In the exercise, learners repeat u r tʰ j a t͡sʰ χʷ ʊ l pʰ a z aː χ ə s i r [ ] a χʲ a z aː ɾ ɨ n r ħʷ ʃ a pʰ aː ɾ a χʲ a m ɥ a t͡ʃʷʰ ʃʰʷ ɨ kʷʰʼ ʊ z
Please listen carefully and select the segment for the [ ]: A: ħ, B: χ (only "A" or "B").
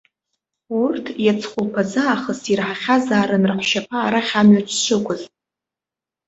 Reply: A